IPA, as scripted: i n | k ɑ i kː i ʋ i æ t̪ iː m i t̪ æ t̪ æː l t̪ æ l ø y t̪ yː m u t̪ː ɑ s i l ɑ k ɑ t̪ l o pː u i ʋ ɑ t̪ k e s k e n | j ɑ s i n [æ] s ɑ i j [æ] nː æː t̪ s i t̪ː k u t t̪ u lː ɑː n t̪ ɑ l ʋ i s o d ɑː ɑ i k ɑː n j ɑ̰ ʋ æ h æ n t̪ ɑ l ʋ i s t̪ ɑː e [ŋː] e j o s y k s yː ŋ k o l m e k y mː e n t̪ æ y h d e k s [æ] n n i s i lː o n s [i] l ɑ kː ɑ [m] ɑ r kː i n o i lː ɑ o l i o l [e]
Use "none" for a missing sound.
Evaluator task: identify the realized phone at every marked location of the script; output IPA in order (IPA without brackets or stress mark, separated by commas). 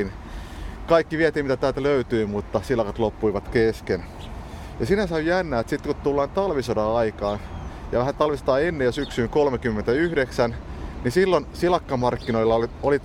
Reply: æ, æ, nː, æ, i, m, i